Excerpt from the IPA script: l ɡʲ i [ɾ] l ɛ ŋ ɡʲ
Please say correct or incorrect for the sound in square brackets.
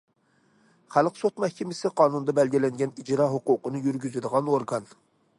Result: incorrect